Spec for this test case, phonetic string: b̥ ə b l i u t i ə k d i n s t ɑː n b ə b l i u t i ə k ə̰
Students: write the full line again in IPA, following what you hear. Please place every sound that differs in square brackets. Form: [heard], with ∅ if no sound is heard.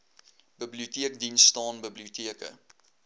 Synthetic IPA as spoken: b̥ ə b l i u t i ə k d i n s t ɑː n b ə b l i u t i ə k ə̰